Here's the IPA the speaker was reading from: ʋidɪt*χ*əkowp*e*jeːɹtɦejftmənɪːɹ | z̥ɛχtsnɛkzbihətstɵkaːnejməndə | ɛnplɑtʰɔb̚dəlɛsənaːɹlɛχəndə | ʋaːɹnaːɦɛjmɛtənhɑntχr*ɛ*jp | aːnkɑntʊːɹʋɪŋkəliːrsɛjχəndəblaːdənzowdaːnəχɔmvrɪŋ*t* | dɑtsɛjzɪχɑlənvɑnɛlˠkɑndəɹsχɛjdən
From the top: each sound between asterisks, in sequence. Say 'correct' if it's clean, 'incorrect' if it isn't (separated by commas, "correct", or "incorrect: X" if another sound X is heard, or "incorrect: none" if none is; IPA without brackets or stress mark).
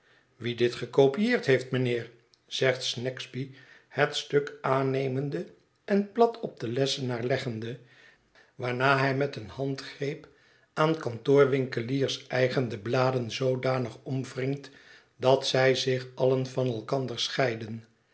correct, incorrect: i, incorrect: e, correct